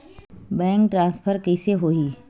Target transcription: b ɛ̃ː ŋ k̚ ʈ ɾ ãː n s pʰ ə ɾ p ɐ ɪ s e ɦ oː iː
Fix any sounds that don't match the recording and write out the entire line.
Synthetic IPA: b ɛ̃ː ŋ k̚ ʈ ɾ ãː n s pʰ ə ɾ k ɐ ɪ s e ɦ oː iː